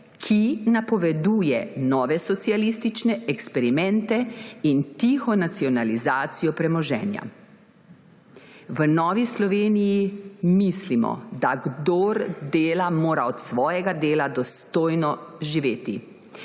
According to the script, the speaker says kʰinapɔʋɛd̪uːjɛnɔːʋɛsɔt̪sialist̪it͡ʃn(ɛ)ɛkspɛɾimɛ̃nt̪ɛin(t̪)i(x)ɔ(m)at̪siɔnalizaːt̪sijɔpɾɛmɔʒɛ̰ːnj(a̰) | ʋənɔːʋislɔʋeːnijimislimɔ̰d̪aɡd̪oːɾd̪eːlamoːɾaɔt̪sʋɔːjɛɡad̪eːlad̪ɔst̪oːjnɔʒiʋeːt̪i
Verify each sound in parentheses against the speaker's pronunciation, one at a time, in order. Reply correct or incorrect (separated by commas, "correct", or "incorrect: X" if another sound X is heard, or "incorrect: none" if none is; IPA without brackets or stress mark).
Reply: correct, correct, correct, incorrect: n, correct